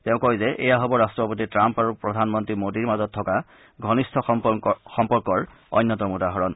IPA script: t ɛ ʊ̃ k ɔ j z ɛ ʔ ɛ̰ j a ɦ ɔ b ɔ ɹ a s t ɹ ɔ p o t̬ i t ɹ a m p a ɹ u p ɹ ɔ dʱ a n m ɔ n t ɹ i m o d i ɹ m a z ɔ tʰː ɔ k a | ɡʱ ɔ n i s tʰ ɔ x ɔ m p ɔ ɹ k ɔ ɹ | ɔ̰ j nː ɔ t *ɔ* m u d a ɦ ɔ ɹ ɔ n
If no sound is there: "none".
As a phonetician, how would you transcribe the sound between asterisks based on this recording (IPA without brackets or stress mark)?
ɔ